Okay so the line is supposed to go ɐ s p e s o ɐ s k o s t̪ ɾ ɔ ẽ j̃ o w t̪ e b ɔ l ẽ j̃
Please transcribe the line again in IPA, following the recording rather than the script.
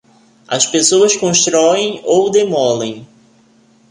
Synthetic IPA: ɐ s p e s o ɐ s k õ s t̪ ɾ ɔ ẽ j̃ o w d̪ e m ɔ l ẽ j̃